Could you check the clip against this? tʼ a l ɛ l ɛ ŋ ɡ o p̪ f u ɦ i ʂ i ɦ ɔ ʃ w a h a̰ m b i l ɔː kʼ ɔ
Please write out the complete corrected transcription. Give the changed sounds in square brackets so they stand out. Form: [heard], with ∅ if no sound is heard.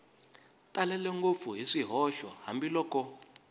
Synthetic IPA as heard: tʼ a l ɛ l ɛ ŋ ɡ o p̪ f u ɦ i ʂ i ɦ ɔ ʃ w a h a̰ m b i l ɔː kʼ ɔ